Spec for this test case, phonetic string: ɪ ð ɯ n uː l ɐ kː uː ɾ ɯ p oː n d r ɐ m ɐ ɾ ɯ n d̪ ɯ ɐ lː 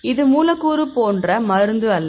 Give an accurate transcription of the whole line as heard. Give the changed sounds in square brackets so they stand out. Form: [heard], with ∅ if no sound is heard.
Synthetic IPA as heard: ɪ ð ɯ [m] uː l ɐ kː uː ɾ ɯ p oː n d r ɐ m ɐ ɾ ɯ n d̪ ɯ ɐ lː